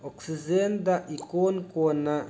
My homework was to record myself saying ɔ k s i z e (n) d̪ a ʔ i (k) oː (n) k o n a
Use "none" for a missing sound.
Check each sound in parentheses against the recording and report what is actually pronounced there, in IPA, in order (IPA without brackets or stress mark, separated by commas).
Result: n, k, n